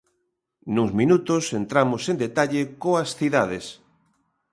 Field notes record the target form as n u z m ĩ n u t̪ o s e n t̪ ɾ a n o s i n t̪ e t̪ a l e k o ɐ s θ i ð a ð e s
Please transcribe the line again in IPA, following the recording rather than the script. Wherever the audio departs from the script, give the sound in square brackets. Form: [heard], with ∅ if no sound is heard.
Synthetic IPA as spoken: n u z m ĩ n u t̪ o s e n t̪ ɾ a [m] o s [e] n [d̪] e t̪ a [ʎ] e k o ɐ s θ i ð a ð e s